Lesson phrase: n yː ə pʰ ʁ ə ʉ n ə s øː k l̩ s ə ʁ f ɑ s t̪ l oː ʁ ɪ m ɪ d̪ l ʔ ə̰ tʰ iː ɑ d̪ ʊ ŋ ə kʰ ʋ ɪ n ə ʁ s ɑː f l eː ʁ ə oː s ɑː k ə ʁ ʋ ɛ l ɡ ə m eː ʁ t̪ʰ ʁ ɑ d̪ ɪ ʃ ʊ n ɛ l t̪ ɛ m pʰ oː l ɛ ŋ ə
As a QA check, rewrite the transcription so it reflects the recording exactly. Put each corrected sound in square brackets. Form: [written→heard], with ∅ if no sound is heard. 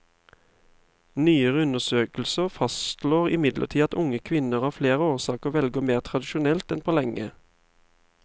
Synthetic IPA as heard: n yː ə [pʰ→∅] ʁ ə ʉ n ə s øː k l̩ s ə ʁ f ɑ s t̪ l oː ʁ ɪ m ɪ d̪ l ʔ ə̰ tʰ iː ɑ [d̪→t̪] ʊ ŋ ə kʰ ʋ ɪ n ə ʁ [s→h] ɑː f l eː ʁ ə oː s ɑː k ə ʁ ʋ ɛ l ɡ ə m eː ʁ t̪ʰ ʁ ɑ d̪ ɪ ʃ ʊ n ɛ l t̪ ɛ [m→n] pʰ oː l ɛ ŋ ə